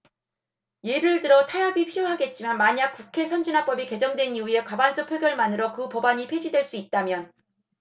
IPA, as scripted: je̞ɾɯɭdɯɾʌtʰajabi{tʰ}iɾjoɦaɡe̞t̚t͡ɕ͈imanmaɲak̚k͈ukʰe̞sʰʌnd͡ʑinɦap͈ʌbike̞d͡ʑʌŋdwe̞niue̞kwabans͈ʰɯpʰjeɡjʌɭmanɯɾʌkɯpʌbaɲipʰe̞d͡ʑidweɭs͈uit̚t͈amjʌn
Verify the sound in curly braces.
incorrect: pʰ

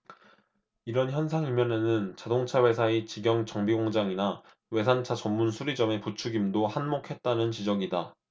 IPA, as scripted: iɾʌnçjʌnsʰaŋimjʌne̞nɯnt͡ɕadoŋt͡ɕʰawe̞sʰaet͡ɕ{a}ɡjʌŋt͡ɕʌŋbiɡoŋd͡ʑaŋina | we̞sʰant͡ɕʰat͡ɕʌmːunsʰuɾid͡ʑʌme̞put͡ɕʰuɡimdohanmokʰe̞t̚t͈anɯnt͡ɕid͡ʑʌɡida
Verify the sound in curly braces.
incorrect: i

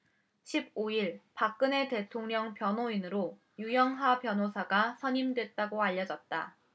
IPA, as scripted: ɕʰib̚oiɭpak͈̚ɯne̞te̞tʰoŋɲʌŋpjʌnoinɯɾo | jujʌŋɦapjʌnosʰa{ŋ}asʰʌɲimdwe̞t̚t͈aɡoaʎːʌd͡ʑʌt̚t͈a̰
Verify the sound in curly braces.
incorrect: ɡ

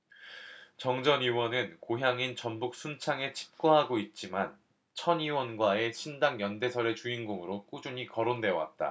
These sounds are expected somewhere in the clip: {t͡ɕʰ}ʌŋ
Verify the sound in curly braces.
incorrect: t͡ɕ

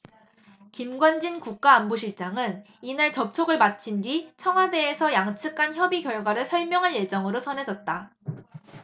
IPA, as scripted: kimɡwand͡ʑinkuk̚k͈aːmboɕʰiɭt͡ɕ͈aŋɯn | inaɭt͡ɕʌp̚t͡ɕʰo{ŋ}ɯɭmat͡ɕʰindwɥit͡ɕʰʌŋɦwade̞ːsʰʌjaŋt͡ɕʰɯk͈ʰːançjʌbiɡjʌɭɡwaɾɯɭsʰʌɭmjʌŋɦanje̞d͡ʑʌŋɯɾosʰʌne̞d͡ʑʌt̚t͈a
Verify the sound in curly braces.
incorrect: ɡ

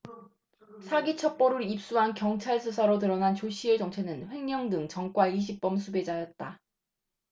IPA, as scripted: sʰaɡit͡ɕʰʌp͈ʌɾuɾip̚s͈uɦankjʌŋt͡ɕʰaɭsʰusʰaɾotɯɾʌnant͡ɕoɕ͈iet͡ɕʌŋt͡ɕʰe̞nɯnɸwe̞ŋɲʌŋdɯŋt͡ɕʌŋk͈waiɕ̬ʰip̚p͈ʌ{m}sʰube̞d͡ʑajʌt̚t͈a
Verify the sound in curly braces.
correct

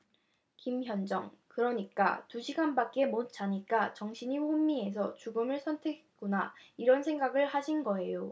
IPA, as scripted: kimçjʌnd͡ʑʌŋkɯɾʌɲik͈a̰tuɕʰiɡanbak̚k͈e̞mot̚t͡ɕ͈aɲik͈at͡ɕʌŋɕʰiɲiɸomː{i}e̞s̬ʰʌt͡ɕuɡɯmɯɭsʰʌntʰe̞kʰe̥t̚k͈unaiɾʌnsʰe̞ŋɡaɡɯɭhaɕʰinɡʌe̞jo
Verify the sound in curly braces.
correct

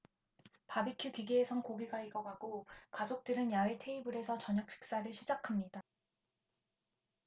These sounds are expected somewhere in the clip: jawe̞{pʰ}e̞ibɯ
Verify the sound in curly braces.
incorrect: tʰ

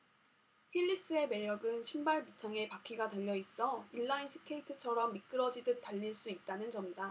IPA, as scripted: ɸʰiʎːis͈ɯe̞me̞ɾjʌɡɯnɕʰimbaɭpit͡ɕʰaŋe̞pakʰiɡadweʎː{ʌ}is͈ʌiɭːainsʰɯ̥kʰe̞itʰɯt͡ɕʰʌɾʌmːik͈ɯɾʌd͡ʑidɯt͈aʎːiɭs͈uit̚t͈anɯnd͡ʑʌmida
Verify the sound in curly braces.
correct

